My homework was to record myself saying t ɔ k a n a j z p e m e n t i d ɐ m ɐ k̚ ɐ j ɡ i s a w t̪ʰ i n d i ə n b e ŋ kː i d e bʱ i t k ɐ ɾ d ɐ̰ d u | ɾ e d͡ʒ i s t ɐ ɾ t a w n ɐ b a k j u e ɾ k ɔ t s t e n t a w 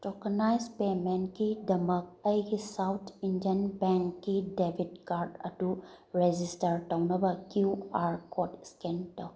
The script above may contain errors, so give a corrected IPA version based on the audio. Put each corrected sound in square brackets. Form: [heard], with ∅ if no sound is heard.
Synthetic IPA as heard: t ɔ k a n a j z p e m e n [k] i d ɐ m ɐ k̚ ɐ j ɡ i s a w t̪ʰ i n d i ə n b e ŋ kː i d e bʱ i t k [a] ɾ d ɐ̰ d u | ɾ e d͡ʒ i s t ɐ ɾ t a w n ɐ b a k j u [a] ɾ k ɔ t s [k] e n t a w